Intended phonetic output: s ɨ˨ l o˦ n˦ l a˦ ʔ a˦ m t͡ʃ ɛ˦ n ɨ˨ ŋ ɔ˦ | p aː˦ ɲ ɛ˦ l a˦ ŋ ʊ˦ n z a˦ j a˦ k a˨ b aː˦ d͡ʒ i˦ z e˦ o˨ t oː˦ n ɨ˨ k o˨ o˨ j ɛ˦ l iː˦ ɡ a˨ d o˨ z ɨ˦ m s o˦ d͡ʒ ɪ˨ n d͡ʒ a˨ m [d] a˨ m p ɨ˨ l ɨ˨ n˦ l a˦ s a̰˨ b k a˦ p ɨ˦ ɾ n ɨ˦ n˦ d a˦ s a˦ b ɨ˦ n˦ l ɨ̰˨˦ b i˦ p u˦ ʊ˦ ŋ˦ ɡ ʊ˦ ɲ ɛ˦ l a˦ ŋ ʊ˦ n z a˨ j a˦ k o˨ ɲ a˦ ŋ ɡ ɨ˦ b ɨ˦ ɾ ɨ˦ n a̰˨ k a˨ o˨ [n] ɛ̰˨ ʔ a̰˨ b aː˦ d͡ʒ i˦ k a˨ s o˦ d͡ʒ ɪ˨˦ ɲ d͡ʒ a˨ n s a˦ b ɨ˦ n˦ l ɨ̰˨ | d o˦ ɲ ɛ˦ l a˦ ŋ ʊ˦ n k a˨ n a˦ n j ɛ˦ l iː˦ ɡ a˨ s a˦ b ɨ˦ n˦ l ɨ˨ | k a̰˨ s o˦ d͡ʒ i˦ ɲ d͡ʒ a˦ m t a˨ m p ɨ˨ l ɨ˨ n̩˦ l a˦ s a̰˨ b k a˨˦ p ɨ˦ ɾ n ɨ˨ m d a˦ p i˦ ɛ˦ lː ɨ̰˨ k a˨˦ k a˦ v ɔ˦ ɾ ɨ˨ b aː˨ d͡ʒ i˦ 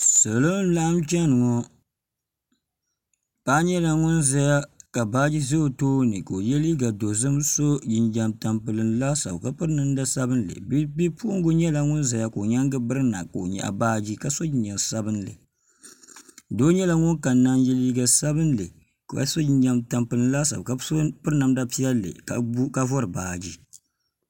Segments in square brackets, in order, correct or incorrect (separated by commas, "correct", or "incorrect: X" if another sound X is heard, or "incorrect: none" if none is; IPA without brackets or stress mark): incorrect: t, incorrect: ɲ